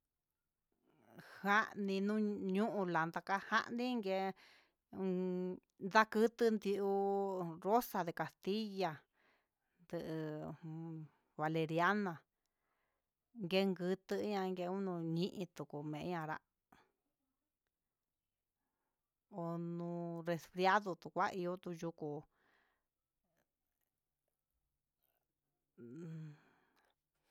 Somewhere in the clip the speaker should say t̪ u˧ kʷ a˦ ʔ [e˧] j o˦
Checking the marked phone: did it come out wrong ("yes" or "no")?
yes